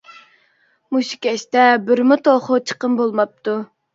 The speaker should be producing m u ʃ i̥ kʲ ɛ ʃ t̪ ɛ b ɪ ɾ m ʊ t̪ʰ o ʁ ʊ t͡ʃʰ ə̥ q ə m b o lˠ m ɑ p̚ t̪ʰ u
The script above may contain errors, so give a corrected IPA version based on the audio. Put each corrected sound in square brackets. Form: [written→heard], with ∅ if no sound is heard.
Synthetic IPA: m u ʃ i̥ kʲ ɛ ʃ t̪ ɛ b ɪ ɾ m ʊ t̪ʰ o [ʁ→χ] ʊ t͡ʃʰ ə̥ q ə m b o lˠ m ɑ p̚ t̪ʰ u